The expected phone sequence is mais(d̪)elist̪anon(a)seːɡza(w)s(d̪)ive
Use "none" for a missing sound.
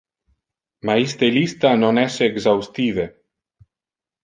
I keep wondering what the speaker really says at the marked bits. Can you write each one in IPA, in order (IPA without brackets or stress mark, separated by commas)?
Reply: t̪, ɛ, w, t̪